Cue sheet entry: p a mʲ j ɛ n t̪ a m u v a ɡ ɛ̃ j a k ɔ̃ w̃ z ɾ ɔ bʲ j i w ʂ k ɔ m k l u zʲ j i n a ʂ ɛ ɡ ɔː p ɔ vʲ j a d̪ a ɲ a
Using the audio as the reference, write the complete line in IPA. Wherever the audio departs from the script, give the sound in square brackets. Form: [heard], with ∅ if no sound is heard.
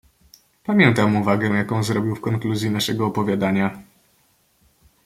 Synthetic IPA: p a mʲ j ɛ n t̪ a m u v a ɡ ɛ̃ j a k ɔ̃ w̃ z ɾ ɔ bʲ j i w [f] k ɔ [ŋ] k l u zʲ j i n a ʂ ɛ ɡ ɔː p ɔ vʲ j a d̪ a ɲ a